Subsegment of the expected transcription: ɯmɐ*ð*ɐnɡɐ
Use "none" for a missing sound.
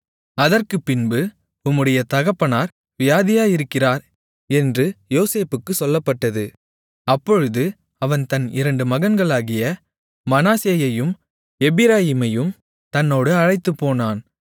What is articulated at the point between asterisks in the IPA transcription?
ɣ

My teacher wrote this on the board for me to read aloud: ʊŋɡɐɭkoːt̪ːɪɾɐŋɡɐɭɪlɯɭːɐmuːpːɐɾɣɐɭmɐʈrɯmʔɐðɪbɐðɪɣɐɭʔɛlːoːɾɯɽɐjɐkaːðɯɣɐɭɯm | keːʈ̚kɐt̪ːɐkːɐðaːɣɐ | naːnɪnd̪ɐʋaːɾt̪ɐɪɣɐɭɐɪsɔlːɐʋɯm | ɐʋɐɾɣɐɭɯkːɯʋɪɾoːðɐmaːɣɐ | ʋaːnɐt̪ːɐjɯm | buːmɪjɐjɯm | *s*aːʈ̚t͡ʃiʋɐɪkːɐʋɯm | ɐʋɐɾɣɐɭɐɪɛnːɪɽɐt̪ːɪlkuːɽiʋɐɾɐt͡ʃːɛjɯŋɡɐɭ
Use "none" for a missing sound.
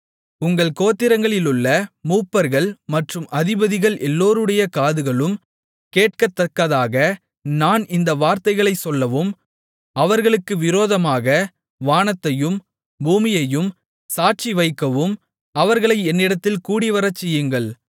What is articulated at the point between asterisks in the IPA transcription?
s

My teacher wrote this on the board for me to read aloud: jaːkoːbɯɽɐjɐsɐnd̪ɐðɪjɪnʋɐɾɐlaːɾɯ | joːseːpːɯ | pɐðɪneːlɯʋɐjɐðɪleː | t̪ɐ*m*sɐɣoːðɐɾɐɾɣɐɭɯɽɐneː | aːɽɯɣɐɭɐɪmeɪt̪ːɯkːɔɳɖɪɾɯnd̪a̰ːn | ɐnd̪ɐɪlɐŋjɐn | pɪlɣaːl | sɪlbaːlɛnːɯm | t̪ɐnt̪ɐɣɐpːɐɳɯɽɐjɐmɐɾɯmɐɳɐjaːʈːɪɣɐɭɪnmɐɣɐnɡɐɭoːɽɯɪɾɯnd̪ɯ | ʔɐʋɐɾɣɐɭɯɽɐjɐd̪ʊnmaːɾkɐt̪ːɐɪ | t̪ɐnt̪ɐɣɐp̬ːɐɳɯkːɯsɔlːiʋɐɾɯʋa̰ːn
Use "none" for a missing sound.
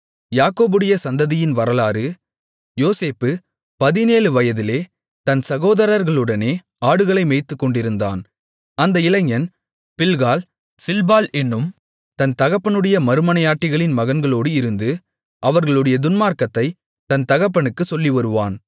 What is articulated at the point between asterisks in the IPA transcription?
n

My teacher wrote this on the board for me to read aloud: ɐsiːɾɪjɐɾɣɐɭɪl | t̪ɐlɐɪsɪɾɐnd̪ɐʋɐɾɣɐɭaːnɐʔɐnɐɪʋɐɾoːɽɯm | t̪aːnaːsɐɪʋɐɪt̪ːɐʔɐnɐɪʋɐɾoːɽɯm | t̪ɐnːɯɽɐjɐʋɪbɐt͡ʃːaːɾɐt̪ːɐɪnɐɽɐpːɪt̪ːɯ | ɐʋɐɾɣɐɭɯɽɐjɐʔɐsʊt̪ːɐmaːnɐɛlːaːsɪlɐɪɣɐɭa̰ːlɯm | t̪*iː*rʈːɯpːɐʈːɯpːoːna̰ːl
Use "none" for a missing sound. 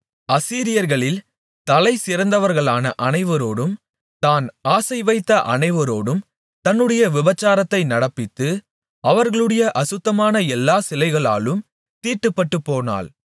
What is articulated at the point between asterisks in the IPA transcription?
iː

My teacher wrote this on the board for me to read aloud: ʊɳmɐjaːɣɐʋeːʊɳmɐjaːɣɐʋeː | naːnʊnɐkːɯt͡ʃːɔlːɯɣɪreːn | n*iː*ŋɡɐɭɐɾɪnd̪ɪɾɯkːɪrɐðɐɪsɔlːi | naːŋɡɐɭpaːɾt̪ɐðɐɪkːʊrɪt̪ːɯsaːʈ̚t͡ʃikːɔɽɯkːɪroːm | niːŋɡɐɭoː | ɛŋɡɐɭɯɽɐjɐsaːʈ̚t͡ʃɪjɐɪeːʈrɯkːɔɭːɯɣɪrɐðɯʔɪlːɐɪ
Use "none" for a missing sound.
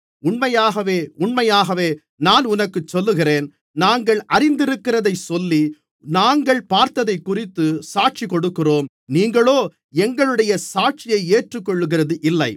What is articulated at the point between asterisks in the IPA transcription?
aː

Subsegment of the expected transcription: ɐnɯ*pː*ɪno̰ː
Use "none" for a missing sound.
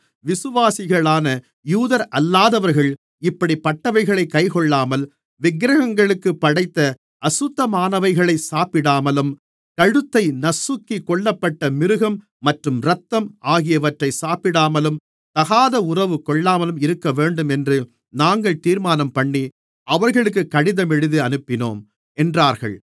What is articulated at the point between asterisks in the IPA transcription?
pː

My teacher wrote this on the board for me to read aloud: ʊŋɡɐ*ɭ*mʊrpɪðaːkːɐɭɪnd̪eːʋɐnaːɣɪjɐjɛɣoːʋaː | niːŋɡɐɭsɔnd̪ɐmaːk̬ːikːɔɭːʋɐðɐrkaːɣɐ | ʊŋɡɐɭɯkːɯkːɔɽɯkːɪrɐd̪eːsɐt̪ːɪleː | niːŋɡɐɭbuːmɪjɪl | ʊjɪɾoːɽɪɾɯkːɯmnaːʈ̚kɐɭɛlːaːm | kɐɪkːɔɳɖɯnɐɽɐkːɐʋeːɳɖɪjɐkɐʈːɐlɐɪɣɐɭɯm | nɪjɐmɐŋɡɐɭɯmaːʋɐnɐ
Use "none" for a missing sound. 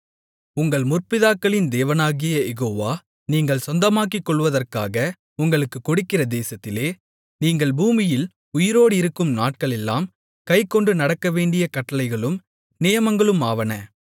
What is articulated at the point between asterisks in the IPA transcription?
ɭ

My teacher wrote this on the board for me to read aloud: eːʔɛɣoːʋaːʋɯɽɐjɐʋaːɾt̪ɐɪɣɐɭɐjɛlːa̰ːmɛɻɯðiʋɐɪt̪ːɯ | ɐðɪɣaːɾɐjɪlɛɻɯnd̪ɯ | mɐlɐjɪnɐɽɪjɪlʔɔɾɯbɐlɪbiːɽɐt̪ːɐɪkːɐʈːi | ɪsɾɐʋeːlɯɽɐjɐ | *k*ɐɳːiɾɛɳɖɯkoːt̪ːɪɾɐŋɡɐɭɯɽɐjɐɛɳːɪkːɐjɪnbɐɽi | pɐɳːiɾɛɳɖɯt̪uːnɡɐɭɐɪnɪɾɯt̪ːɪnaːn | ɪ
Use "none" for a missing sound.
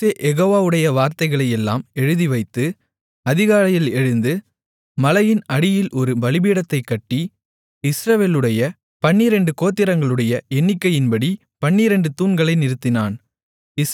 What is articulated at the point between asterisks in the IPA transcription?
p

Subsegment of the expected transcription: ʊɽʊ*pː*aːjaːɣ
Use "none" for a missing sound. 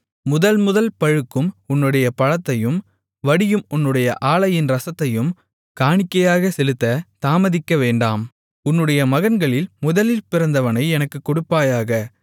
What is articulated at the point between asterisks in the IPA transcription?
pː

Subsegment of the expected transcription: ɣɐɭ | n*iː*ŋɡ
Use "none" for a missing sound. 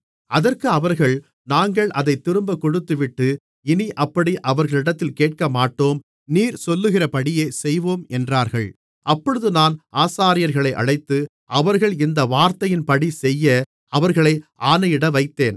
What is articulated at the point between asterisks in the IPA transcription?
aː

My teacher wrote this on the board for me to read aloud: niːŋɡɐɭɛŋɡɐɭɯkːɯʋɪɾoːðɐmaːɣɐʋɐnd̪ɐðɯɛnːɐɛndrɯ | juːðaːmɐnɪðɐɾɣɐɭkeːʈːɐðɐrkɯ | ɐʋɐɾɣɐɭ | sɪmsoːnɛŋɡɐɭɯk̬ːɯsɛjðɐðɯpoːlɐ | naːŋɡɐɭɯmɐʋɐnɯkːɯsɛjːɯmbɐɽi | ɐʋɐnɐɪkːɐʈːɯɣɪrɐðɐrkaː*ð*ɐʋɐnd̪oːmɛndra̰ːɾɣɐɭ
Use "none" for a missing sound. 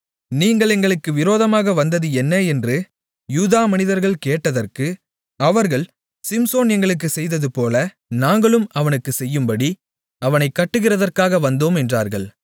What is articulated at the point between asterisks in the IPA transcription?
ɣ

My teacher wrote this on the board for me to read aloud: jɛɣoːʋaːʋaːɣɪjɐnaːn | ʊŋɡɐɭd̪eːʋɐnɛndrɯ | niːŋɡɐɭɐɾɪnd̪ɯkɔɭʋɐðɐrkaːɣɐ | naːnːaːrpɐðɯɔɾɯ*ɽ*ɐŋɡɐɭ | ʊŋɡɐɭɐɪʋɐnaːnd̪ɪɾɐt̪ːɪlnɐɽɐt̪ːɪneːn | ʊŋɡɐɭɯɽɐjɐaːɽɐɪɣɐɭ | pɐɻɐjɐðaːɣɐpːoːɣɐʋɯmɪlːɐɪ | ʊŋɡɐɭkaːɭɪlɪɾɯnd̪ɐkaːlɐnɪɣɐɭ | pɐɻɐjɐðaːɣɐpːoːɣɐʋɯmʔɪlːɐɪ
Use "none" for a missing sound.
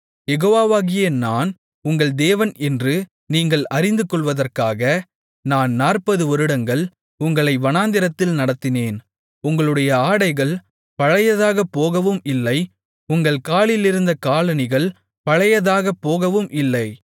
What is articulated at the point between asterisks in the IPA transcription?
ɽ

